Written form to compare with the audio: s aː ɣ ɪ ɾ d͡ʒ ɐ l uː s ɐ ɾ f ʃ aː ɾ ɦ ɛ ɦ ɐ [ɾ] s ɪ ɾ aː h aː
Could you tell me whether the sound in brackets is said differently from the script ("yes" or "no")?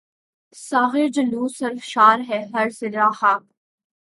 no